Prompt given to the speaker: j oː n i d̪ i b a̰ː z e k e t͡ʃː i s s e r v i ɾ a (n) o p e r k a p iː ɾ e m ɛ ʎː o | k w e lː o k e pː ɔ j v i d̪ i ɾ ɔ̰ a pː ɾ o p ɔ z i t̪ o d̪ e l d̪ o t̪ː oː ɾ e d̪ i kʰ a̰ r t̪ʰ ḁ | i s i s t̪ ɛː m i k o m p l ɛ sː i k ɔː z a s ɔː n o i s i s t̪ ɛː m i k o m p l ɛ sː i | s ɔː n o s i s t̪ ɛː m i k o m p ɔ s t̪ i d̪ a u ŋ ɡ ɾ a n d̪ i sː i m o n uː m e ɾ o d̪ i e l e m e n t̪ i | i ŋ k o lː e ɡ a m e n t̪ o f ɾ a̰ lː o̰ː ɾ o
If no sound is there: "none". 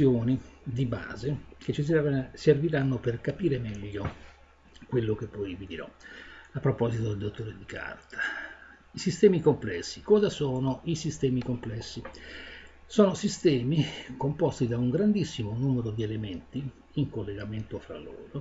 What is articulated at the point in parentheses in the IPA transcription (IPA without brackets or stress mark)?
nː